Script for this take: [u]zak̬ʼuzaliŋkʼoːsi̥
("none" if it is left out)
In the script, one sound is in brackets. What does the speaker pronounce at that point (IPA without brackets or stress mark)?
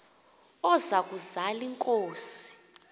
ɔ